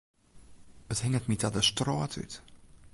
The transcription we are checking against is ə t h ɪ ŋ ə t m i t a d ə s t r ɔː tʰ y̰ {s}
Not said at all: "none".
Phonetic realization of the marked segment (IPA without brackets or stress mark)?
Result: t